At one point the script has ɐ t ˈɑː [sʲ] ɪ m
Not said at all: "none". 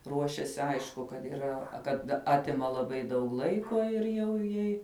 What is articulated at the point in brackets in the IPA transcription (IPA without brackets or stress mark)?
tʲ